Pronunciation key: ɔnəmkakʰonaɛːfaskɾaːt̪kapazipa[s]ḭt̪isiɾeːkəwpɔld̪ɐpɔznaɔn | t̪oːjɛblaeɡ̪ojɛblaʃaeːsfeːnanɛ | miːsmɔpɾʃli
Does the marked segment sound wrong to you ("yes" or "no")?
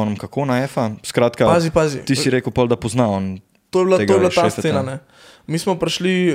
yes